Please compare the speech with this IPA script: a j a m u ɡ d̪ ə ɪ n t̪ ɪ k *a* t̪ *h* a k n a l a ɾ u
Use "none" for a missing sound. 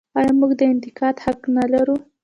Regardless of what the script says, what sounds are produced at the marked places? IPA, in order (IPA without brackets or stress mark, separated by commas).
ɑ, h